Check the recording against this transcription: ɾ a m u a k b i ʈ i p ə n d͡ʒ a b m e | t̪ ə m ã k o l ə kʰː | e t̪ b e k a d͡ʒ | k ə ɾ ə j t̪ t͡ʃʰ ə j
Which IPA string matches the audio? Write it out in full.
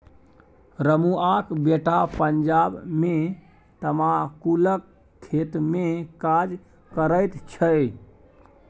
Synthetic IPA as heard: ɾ ə m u a k b e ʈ a p ə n d͡ʒ a b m e | t̪ ə m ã k u l ə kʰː | e t̪ m e k a d͡ʒ | k ə ɾ ə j t̪ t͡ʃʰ ə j